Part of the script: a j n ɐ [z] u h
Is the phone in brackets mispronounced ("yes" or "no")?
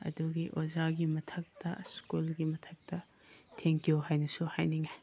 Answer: yes